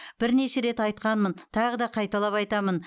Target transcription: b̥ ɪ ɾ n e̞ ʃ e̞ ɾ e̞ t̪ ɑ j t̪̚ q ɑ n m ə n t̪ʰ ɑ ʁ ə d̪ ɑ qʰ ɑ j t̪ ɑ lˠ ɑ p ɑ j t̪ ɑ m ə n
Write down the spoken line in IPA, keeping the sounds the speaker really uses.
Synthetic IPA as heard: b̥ ɪ ɾ n e̞ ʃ e̞ ɾ e̞ t̪ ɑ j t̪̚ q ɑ n m ə n t̪ʰ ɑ ʁ ə d̪ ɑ qʰ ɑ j t̪ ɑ lˠ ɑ p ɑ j t̪ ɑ m ə n